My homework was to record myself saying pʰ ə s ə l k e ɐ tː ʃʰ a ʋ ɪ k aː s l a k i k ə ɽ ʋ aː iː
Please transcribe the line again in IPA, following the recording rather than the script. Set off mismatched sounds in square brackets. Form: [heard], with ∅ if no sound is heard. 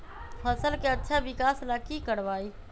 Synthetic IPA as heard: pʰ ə s ə l k e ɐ tː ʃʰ a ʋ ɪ k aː s l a k i k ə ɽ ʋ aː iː